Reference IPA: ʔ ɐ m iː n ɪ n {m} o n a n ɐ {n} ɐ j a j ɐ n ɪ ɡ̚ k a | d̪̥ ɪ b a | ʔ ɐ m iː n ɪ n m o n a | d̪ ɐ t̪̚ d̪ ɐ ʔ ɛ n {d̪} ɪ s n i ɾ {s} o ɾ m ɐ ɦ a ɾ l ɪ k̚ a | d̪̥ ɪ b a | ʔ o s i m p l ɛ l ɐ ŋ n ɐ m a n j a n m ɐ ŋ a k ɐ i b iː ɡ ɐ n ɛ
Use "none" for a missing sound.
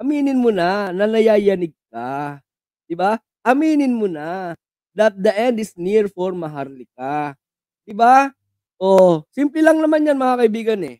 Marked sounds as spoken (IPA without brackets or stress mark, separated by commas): m, n, d̪, f